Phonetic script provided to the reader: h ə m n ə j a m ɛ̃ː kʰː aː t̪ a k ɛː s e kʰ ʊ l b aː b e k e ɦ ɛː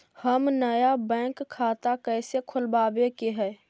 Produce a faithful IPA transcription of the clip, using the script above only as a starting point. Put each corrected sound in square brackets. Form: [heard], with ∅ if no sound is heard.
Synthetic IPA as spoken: h ə m n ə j a [b] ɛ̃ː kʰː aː t̪ a k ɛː s e kʰ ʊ l b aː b e k e ɦ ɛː